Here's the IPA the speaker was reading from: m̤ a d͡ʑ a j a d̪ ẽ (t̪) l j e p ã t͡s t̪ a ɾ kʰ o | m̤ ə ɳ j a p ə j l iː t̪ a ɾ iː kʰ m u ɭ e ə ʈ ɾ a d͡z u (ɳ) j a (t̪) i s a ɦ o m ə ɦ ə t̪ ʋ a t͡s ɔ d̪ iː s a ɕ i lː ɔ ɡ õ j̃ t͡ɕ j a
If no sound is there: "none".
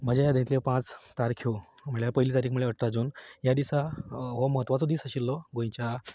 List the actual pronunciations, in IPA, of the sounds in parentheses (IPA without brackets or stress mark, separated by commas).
t̪, n, d̪